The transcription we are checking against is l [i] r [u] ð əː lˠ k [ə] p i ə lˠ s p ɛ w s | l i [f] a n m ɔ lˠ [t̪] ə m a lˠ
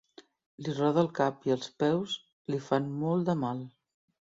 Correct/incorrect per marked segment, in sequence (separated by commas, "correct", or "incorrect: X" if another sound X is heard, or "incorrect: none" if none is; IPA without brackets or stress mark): correct, incorrect: ɔ, incorrect: a, correct, incorrect: d̪